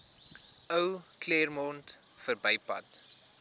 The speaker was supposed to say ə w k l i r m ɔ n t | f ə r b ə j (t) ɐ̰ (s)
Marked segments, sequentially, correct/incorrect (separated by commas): incorrect, incorrect